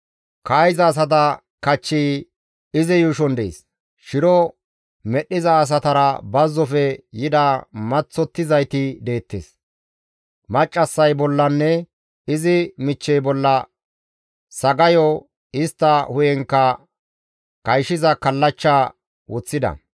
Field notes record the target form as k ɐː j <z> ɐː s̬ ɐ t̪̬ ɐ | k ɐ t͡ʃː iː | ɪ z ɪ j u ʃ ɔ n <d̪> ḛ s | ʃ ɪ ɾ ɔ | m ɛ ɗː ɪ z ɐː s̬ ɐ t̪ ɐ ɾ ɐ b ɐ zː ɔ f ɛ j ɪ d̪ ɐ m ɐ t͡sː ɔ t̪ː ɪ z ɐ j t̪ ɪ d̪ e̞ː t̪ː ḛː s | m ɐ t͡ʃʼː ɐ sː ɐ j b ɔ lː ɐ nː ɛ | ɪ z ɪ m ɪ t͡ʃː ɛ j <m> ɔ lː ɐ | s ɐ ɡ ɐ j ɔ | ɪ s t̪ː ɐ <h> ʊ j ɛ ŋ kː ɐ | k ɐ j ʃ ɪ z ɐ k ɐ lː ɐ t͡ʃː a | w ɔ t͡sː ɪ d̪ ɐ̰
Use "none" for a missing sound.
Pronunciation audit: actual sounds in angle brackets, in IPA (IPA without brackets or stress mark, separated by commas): z, d̪, b, h